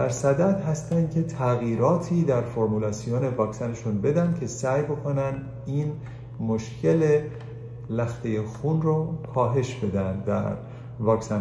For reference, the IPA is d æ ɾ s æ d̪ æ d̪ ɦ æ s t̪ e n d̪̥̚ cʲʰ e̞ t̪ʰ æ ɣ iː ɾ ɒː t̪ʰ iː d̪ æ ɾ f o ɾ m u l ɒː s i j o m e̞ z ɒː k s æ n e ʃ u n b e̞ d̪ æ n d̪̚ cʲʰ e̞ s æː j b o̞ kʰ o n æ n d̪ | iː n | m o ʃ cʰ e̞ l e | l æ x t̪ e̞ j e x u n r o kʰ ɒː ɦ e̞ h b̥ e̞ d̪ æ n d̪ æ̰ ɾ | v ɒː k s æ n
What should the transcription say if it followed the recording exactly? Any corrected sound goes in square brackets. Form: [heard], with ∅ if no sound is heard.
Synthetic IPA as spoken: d æ ɾ s æ d̪ æ d̪ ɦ æ s t̪ [æ] n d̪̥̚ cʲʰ e̞ t̪ʰ æ ɣ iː ɾ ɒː t̪ʰ iː d̪ æ ɾ f o ɾ m u l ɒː s i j o [n] e̞ [v] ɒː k s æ n e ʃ u n b e̞ d̪ æ n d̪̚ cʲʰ e̞ s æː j b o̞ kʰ o n æ n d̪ | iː n | m o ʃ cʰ e̞ l e | l æ x t̪ e̞ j e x u n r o kʰ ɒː ɦ e̞ [ʃ] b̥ e̞ d̪ æ n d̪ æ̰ ɾ | v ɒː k s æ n